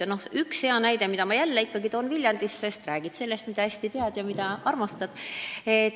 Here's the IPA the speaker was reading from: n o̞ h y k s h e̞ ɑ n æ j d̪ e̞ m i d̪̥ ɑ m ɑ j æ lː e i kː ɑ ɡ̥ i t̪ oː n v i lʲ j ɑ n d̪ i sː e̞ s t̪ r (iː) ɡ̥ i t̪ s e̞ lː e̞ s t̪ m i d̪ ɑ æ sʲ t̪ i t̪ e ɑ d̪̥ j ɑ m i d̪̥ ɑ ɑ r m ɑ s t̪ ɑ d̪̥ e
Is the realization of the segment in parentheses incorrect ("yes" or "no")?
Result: yes